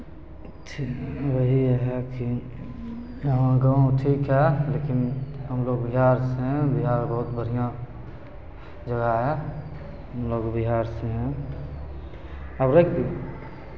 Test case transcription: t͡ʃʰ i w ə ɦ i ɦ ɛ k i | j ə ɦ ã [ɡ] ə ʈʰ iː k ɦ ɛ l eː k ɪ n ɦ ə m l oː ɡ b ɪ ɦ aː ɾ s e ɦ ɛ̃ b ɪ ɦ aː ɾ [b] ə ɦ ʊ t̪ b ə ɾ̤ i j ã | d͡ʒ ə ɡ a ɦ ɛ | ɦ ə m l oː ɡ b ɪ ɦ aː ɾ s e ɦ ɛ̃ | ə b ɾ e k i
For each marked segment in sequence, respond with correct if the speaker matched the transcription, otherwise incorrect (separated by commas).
correct, correct